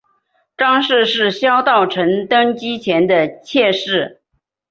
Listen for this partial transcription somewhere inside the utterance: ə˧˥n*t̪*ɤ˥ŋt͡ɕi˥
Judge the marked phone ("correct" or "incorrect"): correct